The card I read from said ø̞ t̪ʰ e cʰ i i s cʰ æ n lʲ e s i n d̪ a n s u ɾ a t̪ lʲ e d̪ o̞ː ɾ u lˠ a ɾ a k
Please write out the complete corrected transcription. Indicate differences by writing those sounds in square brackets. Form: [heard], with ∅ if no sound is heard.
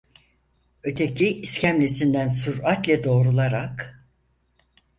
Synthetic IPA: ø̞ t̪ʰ e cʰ i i s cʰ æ [m] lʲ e s i n d̪ [æ] n s u ɾ a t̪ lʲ [ɛ] d̪ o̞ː ɾ u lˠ a ɾ a k

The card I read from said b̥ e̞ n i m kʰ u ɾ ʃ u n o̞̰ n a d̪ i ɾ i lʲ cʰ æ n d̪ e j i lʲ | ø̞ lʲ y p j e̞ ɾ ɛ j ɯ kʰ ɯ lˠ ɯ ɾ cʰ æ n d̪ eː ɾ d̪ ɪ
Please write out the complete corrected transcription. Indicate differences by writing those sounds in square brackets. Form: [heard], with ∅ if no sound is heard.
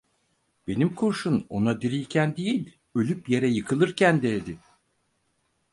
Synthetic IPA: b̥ e̞ n i m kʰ u ɾ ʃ u n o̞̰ n a d̪ i ɾ i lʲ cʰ æ n d̪ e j i lʲ | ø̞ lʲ y p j e̞ ɾ ɛ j ɯ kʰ ɯ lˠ ɯ ɾ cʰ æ n d̪ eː [∅] d̪ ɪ

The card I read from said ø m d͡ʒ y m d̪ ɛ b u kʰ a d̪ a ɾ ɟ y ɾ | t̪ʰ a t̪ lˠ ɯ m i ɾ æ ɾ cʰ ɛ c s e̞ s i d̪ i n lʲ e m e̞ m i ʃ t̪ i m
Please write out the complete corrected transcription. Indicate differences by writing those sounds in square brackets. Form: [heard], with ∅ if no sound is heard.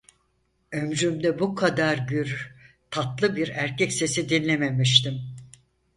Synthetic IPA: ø m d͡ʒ y m d̪ ɛ b u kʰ a d̪ a ɾ ɟ y ɾ | t̪ʰ a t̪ lˠ ɯ [b] i ɾ æ ɾ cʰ ɛ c s e̞ s i d̪ i n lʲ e m e̞ m i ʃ t̪ i m

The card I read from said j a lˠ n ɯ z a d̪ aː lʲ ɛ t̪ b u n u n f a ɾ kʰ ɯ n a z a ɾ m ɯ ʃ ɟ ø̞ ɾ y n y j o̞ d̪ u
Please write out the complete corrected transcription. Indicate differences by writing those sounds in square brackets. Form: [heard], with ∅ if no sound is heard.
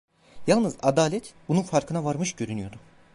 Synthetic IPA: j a lˠ n ɯ z a d̪ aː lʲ ɛ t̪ b u n u n f a ɾ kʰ ɯ n a [v] a ɾ m ɯ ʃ ɟ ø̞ ɾ y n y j o̞ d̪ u

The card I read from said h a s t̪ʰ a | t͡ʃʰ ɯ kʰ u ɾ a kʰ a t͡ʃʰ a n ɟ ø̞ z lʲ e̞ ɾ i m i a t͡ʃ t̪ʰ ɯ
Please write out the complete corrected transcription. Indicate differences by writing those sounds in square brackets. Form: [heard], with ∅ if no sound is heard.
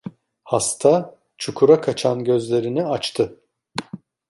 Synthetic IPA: h a s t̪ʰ a | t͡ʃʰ [u] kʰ u ɾ a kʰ a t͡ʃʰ a n ɟ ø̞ z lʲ e̞ ɾ i [n] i a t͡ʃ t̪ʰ ɯ

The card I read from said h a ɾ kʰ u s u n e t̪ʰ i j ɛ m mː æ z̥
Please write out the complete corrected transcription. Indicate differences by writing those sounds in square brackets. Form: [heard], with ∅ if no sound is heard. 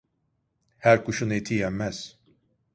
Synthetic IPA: h [æ] ɾ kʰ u [ʃ] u n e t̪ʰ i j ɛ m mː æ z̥

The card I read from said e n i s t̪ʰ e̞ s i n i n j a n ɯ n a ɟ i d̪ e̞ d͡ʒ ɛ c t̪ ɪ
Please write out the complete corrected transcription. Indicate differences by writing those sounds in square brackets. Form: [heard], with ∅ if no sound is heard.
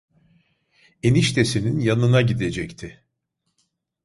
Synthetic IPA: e n i [ʃ] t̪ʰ e̞ s i n i n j a n ɯ n a ɟ i d̪ e̞ d͡ʒ ɛ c [t̪ʰ] ɪ

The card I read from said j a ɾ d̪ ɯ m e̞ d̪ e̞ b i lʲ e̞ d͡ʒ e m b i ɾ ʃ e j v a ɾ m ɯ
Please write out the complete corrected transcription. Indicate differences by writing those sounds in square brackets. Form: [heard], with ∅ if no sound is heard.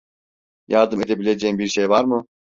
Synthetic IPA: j a ɾ d̪ ɯ m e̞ d̪ e̞ b i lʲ e̞ d͡ʒ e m b i ɾ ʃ e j v a ɾ m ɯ

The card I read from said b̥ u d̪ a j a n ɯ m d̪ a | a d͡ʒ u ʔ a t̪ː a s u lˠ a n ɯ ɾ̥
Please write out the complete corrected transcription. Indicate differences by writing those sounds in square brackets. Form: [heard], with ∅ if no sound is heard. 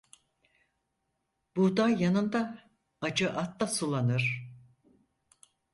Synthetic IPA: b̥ u d̪ a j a n ɯ [n] d̪ a | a d͡ʒ [ɯ] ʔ a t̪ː a s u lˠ a n ɯ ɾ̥

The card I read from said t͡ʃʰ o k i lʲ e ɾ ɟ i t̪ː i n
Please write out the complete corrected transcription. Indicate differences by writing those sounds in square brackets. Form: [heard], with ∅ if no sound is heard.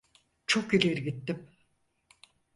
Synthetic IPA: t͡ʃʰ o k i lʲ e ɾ [ɡ] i t̪ː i [m]

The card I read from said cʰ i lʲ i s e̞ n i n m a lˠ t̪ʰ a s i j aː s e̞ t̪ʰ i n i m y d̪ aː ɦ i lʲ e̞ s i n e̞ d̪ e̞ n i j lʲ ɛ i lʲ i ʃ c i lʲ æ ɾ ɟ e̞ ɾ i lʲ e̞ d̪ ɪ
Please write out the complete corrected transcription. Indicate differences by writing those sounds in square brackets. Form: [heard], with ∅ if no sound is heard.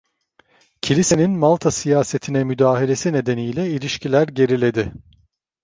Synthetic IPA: cʰ i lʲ i s e̞ n i n m a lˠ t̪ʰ a s i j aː s e̞ t̪ʰ i n [ɛ] m y d̪ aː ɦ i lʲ e̞ s i n e̞ d̪ e̞ n i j lʲ ɛ i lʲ i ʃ c i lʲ æ ɾ ɟ e̞ ɾ i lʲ e̞ d̪ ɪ

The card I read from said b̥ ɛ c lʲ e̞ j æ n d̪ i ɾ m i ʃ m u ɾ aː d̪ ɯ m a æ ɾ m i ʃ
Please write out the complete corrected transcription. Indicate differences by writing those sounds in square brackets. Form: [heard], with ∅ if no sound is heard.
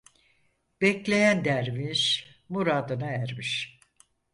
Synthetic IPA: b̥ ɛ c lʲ e̞ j æ n d̪ [æ] ɾ m i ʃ m u ɾ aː d̪ ɯ [n] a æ ɾ m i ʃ

